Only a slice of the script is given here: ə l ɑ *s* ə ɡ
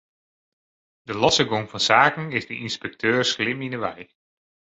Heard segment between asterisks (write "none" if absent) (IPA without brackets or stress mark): s